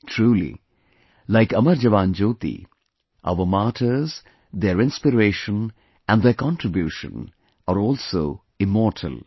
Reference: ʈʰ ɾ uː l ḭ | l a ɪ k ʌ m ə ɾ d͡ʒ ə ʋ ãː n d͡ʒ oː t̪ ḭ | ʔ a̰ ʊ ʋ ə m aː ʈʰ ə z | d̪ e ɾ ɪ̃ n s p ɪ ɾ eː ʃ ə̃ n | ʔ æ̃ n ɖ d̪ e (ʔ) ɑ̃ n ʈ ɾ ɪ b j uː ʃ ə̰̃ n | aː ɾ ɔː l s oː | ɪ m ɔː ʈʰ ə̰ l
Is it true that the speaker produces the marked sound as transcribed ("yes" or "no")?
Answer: no